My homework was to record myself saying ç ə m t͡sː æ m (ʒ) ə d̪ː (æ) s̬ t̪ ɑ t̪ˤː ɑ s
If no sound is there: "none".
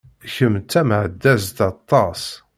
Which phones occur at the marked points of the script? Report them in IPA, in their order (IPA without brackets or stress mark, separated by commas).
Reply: ʕ, æ